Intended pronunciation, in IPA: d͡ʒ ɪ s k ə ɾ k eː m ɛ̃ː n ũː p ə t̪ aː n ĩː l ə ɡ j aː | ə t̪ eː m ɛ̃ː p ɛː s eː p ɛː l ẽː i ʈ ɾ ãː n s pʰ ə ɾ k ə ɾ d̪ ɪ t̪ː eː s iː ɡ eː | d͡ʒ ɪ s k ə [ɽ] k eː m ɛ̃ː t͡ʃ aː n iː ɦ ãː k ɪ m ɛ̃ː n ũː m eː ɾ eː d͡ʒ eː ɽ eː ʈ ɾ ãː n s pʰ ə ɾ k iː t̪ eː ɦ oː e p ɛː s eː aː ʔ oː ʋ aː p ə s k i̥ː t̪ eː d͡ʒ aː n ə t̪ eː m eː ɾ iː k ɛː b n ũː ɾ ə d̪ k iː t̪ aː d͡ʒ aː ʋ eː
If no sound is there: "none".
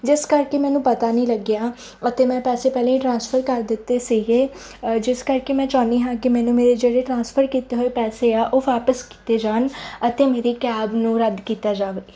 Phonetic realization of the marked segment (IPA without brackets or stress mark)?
ɾ